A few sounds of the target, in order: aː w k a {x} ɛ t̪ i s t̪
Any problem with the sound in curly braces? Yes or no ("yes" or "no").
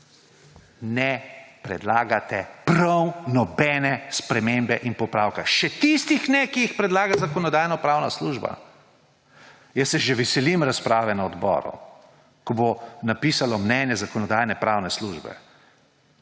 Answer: yes